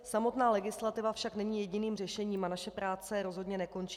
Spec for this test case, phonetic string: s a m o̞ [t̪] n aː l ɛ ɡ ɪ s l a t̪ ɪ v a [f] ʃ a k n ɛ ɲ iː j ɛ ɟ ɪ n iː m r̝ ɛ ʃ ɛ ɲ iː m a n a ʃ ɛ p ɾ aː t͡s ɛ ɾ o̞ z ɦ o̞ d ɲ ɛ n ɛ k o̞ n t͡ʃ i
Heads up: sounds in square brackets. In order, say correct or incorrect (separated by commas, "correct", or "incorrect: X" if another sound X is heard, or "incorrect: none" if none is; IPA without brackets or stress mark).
correct, correct